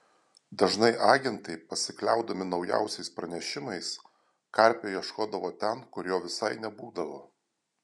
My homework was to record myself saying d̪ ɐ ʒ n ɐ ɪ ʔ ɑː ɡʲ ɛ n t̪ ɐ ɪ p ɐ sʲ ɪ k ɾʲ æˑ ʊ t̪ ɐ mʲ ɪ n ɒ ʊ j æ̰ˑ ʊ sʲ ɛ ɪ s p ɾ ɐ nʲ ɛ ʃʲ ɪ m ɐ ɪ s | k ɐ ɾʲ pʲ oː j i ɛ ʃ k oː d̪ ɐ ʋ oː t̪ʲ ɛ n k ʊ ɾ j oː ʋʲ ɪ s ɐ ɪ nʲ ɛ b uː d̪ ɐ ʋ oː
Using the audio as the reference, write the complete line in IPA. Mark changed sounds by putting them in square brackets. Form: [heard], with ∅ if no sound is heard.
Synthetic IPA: d̪ ɐ ʒ n ɐ ɪ ʔ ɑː ɡʲ ɛ n t̪ ɐ ɪ p ɐ sʲ ɪ k [lʲ] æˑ ʊ [d̪] ɐ mʲ ɪ n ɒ ʊ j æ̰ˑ ʊ sʲ ɛ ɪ s p ɾ ɐ nʲ ɛ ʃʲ ɪ m ɐ ɪ s | k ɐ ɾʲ pʲ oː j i ɛ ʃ k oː d̪ ɐ ʋ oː t̪ʲ ɛ n k ʊ ɾ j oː ʋʲ ɪ s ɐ ɪ nʲ ɛ b uː d̪ ɐ ʋ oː